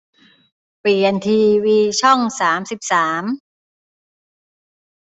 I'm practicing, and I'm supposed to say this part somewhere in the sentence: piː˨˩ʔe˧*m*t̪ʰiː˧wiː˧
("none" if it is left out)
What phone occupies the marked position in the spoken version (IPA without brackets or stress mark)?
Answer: n